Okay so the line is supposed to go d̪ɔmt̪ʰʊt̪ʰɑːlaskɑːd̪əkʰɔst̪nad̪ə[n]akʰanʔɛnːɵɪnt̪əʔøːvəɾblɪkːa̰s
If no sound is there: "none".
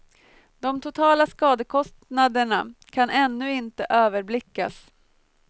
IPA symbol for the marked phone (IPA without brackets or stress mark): ɳ